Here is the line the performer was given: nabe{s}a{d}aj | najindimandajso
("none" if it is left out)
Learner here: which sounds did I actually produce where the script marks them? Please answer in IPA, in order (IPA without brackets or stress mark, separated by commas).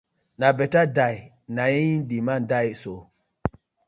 t, d